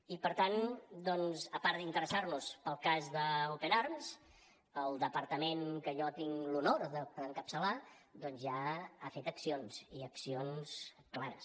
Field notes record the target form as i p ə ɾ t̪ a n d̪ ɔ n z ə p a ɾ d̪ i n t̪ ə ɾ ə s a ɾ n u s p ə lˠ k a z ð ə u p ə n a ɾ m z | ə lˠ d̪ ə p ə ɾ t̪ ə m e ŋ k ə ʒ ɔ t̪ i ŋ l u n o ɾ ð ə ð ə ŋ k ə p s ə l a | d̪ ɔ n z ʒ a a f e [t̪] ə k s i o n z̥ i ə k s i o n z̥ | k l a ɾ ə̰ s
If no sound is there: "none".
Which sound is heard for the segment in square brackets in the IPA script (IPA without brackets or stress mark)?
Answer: t̪